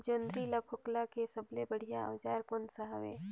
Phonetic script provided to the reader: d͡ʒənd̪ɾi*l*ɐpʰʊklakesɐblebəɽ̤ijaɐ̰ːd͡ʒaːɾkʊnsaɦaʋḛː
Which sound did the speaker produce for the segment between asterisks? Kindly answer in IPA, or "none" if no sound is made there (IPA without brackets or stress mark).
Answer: l